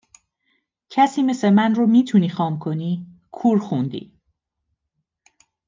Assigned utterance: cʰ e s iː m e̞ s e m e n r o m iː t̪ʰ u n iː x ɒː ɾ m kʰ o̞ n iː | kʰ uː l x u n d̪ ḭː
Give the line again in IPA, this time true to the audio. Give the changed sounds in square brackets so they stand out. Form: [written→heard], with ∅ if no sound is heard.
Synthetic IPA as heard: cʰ [e→æ] s iː m e̞ s e m [e→æ] n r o m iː t̪ʰ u n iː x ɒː [ɾ→∅] m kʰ o̞ n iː | kʰ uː [l→ɾ] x u n d̪ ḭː

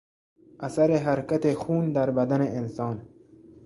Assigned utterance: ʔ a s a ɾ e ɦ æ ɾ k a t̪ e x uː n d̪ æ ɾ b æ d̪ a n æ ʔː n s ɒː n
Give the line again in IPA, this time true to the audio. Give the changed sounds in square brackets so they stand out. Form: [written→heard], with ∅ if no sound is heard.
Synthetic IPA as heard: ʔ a s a ɾ e ɦ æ ɾ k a t̪ e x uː n d̪ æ ɾ b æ d̪ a n [æ→e] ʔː n s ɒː n

